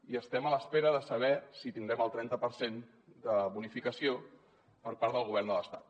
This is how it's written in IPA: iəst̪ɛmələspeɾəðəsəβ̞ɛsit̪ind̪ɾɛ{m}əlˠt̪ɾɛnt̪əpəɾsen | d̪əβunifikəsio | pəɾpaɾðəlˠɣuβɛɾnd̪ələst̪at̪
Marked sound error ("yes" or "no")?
no